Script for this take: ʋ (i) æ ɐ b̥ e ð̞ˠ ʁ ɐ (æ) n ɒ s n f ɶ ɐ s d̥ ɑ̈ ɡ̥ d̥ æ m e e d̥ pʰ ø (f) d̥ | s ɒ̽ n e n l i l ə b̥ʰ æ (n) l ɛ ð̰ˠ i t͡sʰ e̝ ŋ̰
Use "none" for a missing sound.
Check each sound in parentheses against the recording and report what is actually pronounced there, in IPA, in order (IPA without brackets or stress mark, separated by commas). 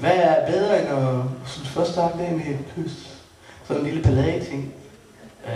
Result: æ, e, s, none